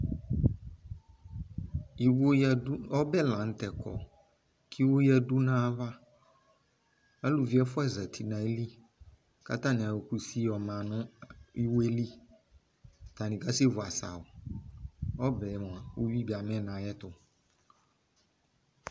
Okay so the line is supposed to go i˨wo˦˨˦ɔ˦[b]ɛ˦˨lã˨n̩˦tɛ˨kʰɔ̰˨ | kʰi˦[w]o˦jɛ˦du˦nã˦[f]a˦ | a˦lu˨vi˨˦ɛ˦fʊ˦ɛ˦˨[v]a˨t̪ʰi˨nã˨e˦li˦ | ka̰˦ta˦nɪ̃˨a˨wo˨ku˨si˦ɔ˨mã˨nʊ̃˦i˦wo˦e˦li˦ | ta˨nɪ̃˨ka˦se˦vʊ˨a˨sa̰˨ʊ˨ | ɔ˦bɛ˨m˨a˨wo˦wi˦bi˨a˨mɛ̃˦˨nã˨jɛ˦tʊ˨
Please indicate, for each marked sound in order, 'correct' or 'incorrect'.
correct, correct, incorrect, incorrect

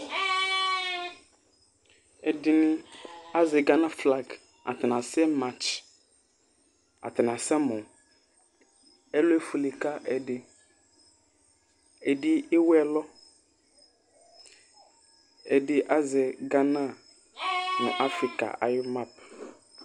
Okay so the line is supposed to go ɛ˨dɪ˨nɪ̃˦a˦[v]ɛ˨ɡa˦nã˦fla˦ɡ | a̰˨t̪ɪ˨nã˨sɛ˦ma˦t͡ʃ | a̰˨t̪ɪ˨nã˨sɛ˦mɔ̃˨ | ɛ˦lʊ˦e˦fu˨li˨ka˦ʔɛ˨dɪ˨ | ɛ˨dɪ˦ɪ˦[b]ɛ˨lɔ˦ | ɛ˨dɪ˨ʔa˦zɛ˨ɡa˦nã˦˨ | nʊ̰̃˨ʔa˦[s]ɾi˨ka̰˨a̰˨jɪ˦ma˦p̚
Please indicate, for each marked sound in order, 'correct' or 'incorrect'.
incorrect, incorrect, incorrect

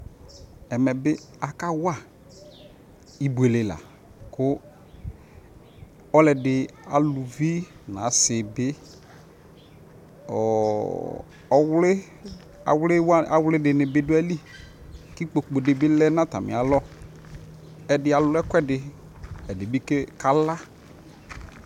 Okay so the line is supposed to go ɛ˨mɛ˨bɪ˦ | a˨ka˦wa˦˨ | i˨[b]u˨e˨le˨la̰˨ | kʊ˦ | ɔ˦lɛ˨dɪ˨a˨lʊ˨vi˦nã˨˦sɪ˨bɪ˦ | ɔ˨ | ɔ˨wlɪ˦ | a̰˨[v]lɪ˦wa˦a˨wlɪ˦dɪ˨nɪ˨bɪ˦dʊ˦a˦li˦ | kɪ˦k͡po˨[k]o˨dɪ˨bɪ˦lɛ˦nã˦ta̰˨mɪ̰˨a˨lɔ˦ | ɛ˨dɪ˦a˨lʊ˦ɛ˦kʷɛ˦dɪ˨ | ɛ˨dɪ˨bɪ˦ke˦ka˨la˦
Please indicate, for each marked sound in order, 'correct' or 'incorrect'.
correct, incorrect, incorrect

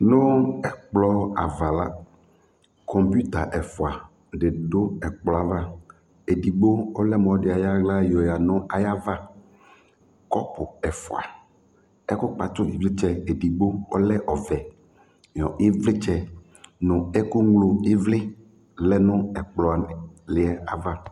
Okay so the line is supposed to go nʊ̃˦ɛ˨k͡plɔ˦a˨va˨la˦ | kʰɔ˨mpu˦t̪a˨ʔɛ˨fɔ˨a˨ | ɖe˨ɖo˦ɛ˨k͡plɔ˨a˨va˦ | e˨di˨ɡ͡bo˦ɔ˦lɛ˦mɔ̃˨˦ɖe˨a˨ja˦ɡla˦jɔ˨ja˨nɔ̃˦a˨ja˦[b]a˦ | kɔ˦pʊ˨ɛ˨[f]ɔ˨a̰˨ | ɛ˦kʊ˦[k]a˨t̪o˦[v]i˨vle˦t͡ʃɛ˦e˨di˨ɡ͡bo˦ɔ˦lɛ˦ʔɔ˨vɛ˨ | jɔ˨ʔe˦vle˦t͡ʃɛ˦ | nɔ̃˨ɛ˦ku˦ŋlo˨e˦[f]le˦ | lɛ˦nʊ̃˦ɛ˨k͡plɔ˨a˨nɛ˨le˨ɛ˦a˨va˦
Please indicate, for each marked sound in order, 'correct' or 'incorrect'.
incorrect, correct, incorrect, correct, incorrect

